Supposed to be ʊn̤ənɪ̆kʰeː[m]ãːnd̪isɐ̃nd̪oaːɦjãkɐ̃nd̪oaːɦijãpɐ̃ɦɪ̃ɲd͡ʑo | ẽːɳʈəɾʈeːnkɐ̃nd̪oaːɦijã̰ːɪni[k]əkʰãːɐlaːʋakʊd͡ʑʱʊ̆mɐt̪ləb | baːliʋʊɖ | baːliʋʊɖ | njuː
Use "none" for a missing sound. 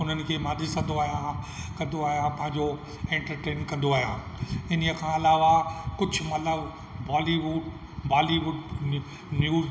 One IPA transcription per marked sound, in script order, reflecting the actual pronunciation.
m, none

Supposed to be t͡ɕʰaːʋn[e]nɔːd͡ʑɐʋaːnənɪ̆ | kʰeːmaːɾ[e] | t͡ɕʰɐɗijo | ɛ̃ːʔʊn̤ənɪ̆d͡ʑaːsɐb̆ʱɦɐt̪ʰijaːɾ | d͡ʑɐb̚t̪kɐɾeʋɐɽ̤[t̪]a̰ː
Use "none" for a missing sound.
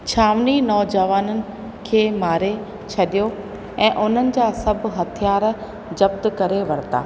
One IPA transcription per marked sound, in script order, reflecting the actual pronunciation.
i, e, t̪

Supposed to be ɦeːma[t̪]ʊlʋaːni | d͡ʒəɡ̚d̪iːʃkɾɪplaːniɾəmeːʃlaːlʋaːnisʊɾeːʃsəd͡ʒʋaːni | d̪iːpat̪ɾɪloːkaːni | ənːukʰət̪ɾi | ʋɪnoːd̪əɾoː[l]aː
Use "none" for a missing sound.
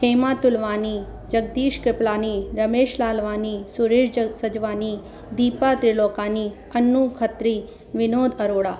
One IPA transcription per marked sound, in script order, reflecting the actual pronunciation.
t̪, ɽ

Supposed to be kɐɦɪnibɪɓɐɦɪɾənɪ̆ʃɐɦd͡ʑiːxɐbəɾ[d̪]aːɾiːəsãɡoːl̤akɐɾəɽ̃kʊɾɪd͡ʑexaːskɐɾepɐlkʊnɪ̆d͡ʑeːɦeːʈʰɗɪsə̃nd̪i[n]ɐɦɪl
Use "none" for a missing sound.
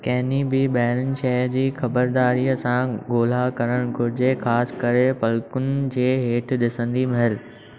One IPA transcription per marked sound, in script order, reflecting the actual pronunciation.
d̪, m

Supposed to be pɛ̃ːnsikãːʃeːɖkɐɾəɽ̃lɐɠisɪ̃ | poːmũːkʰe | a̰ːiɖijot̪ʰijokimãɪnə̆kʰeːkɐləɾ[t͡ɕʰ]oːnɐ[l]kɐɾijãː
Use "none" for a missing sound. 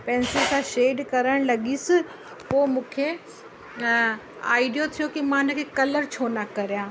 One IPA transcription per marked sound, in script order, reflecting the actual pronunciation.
t͡ɕʰ, none

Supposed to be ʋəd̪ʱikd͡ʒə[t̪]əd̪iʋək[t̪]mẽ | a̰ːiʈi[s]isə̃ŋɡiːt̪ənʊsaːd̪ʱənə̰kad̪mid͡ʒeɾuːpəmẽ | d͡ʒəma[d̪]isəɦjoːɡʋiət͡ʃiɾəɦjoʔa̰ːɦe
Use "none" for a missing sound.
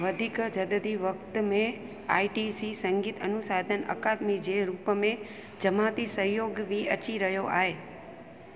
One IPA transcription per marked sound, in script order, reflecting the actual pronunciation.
d̪, t̪, s, t̪

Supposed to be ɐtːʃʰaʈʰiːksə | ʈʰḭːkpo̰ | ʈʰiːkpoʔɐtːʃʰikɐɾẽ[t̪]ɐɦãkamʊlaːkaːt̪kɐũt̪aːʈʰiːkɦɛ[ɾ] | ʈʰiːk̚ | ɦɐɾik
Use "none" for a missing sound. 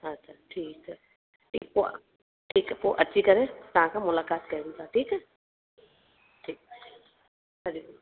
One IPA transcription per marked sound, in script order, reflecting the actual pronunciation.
t̪, none

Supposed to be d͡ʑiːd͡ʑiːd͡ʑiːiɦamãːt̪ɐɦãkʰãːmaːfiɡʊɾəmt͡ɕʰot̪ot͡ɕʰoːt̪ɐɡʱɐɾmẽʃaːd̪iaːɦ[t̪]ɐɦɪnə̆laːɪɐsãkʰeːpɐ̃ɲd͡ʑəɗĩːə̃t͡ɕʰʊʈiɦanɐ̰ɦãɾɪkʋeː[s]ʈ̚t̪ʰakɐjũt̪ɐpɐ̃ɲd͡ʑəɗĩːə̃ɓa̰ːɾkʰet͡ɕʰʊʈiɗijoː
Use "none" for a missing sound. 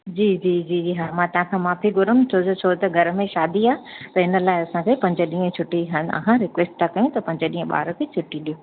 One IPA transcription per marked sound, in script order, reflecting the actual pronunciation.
t̪, s

